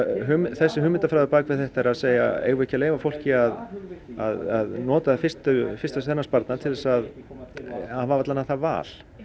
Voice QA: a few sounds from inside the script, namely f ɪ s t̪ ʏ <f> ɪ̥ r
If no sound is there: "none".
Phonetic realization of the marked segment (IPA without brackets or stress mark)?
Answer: f